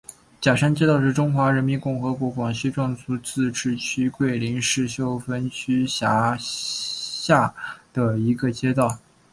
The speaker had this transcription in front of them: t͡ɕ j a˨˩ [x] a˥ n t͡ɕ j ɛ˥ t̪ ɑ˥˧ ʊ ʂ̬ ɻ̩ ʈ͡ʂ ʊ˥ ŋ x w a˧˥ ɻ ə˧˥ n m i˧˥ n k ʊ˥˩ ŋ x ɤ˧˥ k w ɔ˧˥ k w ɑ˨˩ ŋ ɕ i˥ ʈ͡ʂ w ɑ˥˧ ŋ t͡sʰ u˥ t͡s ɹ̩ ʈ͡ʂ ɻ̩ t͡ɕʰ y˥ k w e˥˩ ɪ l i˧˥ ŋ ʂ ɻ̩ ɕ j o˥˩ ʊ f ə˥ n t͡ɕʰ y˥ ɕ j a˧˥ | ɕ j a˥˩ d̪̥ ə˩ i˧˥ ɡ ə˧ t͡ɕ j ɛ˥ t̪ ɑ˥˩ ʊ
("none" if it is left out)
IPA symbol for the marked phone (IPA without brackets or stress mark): ʂ